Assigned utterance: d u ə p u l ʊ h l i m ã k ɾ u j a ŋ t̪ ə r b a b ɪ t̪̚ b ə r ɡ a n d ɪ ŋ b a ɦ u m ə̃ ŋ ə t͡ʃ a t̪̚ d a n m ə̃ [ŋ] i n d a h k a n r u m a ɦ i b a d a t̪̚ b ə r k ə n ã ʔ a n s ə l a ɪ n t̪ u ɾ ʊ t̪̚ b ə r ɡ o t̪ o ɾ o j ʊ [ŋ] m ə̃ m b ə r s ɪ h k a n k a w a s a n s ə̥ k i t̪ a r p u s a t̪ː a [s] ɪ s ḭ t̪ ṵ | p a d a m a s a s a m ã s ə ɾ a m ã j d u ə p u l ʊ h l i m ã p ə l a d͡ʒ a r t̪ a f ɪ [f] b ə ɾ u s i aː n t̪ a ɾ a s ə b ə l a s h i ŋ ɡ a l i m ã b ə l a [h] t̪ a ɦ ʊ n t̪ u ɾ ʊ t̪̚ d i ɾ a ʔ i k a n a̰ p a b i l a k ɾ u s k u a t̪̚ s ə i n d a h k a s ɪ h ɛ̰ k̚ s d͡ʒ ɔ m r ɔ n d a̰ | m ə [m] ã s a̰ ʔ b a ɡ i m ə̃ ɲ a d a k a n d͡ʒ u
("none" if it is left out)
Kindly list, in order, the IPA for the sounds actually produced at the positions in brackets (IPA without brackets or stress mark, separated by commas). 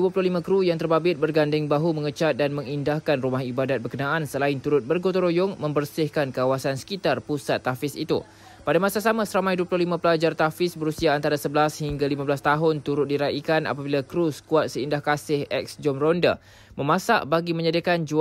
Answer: ŋ, ŋ, f, s, s, m